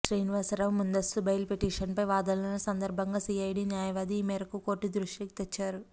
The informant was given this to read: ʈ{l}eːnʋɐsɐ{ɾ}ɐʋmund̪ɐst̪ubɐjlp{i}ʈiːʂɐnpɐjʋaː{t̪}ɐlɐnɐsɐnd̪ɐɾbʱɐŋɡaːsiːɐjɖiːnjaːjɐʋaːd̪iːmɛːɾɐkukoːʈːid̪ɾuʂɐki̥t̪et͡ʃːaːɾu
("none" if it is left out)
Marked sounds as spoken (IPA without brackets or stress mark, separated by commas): ɾ, ɾ, e, d̪